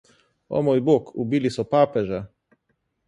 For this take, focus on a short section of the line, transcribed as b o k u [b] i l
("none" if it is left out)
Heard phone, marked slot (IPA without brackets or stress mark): b